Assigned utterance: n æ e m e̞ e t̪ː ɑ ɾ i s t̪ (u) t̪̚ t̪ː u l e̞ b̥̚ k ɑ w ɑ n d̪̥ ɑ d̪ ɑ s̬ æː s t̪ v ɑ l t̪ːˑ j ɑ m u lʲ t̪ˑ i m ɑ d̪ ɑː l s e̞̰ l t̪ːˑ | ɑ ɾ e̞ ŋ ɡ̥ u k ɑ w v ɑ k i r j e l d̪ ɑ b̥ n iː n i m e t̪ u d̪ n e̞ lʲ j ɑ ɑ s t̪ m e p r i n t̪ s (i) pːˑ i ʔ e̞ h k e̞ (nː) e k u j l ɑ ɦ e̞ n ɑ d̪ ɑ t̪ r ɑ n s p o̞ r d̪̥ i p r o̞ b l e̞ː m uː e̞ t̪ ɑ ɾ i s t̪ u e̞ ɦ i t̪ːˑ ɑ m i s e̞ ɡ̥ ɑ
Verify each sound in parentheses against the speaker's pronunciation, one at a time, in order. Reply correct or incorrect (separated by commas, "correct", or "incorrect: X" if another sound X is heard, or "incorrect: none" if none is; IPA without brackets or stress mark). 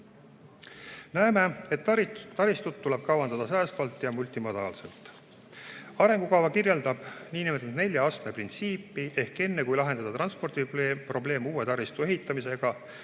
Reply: correct, incorrect: iː, correct